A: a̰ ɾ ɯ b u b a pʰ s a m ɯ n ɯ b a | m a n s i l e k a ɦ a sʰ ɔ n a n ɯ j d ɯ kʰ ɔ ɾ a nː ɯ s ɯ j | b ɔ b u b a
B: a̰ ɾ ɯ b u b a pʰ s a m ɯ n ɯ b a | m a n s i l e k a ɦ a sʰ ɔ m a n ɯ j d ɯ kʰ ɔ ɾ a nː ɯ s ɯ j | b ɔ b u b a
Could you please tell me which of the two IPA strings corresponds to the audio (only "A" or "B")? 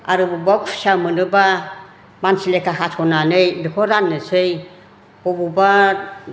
A